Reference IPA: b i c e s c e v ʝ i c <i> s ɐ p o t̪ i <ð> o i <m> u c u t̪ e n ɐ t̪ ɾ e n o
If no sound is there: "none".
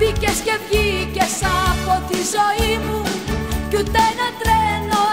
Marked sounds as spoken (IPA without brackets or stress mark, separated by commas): e, z, m